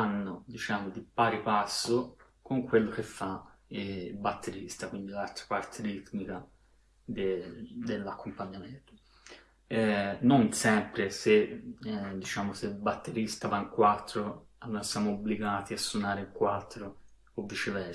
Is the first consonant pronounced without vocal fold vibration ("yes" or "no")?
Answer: no